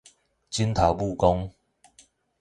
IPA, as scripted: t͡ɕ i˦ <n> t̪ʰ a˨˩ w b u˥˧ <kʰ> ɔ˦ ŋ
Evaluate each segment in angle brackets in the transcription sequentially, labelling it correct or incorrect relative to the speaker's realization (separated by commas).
correct, incorrect